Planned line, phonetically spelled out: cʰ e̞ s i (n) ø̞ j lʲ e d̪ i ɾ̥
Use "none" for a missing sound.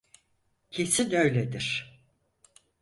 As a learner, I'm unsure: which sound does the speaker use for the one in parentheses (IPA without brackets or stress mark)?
n